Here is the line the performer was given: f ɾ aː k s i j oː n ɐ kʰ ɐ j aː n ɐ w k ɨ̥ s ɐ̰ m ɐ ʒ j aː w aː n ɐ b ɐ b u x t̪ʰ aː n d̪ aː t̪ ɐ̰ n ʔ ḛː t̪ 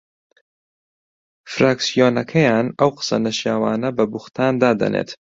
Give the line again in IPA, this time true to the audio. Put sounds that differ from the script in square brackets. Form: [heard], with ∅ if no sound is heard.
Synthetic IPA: f ɾ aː k s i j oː n ɐ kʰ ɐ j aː n ɐ w [q] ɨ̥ s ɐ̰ [n] ɐ [ʃ] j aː w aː n ɐ b ɐ b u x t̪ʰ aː n d̪ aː [d̪] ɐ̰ n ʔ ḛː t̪